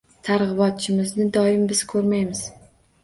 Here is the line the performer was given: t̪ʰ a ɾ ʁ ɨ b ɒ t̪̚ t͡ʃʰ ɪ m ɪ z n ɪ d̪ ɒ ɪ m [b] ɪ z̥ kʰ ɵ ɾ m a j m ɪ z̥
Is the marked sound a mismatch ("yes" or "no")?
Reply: no